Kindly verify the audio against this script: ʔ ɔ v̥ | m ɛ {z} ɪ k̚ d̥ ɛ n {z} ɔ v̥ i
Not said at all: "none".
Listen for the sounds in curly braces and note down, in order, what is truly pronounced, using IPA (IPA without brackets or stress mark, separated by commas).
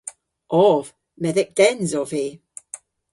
ð, z